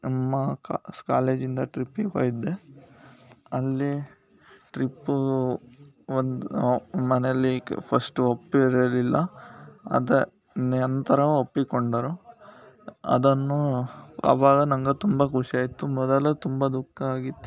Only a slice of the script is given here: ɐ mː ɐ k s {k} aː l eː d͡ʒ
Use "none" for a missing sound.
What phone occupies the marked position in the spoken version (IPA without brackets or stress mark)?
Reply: k